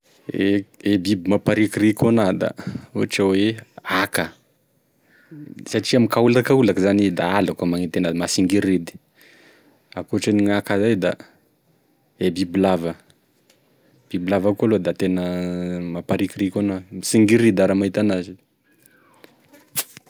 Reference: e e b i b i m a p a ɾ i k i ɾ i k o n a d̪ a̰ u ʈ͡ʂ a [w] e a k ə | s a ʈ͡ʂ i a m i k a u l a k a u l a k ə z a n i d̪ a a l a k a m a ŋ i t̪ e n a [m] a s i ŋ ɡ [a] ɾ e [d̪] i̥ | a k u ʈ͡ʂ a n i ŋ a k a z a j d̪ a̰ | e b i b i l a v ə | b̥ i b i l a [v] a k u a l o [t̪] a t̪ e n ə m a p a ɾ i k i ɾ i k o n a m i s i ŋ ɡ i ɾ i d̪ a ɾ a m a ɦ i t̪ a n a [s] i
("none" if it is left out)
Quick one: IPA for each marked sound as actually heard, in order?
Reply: w, m, i, d̪, v, d̪, z

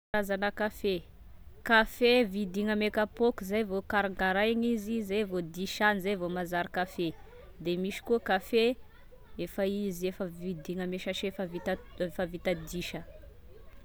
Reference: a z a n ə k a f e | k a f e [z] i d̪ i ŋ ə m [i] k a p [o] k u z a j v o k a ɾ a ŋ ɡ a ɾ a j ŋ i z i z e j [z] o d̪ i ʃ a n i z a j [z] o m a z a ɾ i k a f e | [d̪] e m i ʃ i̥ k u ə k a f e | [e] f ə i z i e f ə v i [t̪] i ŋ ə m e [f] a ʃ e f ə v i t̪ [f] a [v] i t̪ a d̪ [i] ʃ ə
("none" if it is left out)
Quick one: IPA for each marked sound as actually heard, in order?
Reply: v, e, o, v, v, d̪, e, d̪, ʃ, f, v, i

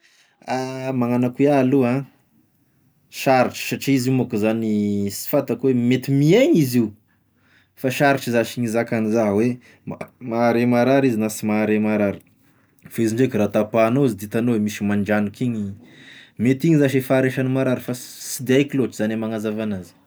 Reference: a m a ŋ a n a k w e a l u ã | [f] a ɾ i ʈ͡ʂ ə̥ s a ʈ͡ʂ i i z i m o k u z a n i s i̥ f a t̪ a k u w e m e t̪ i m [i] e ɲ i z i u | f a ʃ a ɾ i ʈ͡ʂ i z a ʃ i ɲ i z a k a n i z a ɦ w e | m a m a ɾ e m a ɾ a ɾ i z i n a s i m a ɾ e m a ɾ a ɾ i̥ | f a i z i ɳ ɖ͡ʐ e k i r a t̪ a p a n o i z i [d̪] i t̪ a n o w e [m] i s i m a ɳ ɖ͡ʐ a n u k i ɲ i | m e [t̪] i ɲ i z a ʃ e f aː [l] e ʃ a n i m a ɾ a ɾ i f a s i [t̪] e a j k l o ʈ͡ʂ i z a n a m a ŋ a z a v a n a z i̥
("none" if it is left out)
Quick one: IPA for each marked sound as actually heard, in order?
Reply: ʃ, i, d̪, m, t̪, ɾ, d̪

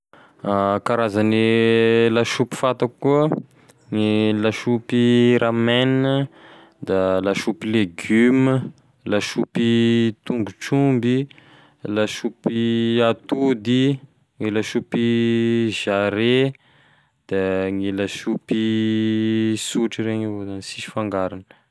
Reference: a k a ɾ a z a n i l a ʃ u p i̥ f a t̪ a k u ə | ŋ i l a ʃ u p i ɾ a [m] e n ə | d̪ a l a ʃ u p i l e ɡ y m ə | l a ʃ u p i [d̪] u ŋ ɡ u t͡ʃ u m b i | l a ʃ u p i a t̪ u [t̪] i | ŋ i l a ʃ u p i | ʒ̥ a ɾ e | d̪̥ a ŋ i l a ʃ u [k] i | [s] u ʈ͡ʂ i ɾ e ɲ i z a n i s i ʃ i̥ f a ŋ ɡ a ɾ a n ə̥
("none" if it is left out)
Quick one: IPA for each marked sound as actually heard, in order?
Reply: m, t̪, d̪, p, s

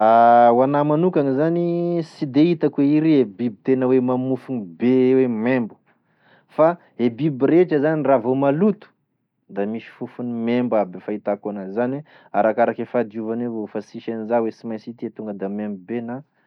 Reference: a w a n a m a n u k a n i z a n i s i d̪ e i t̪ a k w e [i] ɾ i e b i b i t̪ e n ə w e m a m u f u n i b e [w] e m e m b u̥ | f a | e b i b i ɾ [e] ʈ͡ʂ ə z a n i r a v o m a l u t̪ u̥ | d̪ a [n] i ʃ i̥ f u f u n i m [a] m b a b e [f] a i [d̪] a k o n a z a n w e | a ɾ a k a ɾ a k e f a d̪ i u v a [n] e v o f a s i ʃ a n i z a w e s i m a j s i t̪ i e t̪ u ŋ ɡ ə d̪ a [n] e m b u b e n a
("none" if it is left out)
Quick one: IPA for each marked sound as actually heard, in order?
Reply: i, w, e, m, e, f, t̪, n, m

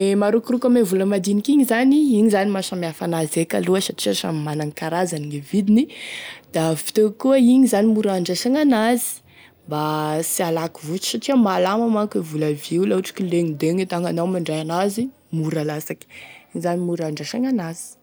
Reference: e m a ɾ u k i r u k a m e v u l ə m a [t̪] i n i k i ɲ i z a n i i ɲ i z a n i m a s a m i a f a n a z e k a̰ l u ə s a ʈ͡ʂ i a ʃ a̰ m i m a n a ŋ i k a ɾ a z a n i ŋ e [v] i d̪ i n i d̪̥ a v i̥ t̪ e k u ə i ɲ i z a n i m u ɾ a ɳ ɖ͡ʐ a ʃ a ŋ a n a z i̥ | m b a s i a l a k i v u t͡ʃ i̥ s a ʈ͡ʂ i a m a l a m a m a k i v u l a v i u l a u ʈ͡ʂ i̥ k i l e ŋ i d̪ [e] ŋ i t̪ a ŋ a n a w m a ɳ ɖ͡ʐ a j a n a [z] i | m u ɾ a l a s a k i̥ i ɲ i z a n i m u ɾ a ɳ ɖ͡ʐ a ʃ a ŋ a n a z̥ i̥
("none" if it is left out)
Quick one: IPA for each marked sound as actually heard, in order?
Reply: d̪, v, e, z

